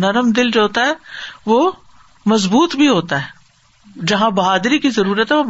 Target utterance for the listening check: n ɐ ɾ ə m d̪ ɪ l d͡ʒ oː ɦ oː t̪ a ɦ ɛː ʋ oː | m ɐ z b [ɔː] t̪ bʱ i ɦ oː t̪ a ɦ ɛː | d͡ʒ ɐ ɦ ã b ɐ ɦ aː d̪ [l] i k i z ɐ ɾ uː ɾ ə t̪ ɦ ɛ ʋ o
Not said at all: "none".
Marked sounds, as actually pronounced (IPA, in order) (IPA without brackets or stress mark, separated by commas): uː, ɾ